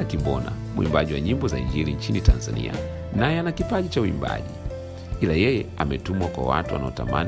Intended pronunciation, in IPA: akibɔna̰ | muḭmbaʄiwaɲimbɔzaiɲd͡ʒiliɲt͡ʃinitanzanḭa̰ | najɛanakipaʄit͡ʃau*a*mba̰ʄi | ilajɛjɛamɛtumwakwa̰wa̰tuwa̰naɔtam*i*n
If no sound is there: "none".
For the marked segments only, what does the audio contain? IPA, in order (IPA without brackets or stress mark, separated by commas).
i, a